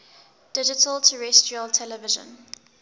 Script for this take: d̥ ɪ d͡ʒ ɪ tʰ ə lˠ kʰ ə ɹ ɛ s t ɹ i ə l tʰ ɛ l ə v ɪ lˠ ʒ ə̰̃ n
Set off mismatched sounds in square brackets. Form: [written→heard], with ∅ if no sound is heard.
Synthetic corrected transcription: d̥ ɪ d͡ʒ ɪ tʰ ə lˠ [kʰ→tʰ] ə ɹ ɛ s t ɹ i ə l tʰ ɛ l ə v ɪ [lˠ→∅] ʒ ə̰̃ n

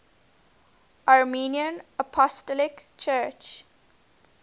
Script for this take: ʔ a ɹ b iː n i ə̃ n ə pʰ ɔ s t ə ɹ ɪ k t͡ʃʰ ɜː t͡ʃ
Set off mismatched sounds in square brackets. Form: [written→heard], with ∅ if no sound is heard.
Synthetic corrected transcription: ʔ a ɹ [b→m] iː n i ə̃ n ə pʰ ɔ s t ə [ɹ→l] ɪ k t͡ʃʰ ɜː t͡ʃ

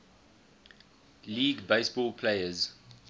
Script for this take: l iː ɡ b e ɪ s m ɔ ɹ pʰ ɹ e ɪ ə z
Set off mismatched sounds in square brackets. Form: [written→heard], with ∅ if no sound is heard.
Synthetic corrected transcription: l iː ɡ b e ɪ s [m→b] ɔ [ɹ→l] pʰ [ɹ→l] e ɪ ə z

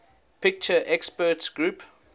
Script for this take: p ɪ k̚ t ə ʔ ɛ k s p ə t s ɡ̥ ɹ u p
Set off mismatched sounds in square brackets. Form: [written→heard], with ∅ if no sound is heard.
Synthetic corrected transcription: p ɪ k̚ [t→t͡ʃ] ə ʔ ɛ k s p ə t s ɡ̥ ɹ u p

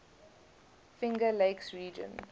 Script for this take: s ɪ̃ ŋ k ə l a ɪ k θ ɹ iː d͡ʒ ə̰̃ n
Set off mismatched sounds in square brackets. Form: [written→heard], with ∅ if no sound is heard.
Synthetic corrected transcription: [s→f] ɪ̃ ŋ [k→ɡ] ə l [a→e] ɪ k [θ→s] ɹ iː d͡ʒ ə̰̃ n

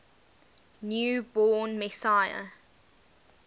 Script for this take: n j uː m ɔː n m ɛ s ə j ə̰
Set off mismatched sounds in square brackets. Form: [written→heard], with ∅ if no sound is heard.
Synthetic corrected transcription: n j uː [m→b] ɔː n m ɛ s [ə→a] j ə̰

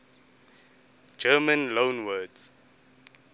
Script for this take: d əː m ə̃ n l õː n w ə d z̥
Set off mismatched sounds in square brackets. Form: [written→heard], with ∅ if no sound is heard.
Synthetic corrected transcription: [d→d͡ʒ] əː m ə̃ n l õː n w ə d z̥

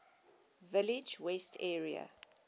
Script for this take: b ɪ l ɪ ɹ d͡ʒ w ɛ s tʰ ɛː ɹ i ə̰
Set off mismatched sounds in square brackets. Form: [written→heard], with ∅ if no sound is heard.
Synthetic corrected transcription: [b→v] ɪ l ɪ [ɹ→∅] d͡ʒ w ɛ s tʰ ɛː ɹ i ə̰

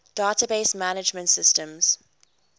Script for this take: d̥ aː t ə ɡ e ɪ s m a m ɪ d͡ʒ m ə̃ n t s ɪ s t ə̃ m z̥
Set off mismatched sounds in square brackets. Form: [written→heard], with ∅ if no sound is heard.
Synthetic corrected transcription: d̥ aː t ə [ɡ→b] e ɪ s m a [m→n] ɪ d͡ʒ m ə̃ n t s ɪ s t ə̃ m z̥

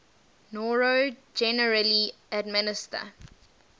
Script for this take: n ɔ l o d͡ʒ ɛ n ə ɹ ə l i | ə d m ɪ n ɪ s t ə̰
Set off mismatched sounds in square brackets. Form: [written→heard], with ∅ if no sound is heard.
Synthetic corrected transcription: n ɔ [l→ɹ] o d͡ʒ ɛ n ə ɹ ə l i | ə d m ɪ n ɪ s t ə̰

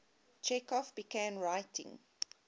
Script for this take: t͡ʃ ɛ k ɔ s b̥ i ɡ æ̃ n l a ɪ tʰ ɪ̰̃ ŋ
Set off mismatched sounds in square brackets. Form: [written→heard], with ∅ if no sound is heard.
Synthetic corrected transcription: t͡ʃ ɛ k ɔ [s→f] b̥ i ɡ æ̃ n [l→ɹ] a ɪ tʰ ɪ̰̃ ŋ

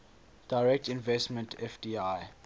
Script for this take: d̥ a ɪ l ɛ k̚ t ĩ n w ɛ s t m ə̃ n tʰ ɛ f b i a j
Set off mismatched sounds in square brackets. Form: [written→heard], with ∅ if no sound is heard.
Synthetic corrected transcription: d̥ a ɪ [l→ɹ] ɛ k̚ t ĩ n [w→v] ɛ s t m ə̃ n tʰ ɛ f [b→d] i a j

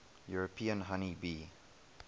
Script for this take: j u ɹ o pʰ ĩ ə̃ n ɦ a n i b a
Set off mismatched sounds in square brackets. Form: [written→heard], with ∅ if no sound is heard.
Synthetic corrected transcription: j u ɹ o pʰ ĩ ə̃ n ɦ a n i b [a→i]

